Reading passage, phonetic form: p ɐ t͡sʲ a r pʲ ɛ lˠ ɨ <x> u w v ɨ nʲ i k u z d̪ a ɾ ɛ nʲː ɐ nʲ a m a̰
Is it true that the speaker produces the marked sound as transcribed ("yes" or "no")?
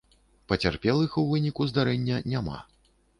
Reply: yes